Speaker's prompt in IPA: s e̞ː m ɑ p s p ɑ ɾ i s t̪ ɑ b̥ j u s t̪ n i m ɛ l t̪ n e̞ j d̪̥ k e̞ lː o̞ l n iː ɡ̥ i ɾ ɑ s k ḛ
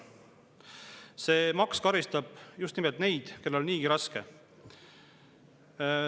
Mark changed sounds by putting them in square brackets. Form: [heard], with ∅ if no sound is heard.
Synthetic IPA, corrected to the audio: s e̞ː m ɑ [k] s [k] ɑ ɾ i s t̪ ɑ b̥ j u s t̪ n i m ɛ l t̪ n e̞ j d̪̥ k e̞ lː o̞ l n iː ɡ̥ i ɾ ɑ s k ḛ